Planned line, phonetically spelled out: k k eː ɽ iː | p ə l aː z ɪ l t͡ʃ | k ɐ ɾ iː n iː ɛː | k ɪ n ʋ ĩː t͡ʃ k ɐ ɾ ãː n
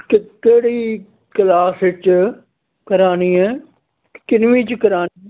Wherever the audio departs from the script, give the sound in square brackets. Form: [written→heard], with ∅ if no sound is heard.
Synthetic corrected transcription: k k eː ɽ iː | [p→k] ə l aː [z→s] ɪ [l→∅] t͡ʃ | k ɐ ɾ [iː→aː] n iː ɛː | k ɪ n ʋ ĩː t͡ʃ k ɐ ɾ [ãː→aː] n